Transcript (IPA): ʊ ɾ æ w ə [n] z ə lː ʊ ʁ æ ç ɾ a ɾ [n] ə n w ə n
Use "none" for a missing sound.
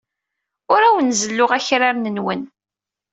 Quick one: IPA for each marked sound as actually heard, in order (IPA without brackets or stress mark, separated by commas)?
n, n